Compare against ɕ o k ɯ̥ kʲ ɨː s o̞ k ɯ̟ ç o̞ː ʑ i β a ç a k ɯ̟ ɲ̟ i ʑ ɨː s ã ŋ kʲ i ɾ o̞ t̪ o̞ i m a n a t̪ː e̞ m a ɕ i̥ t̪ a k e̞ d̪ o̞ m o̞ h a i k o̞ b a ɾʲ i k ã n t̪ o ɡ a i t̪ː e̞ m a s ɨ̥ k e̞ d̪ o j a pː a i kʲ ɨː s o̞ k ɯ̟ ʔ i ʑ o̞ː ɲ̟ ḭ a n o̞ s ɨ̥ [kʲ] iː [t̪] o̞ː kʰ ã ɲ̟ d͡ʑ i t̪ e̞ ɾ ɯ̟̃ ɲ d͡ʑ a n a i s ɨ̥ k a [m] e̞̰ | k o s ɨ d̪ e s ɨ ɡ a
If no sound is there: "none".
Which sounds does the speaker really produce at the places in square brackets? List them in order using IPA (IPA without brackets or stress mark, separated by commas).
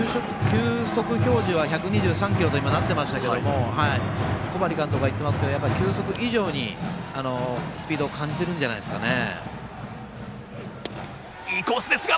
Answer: pʲ, d̪, n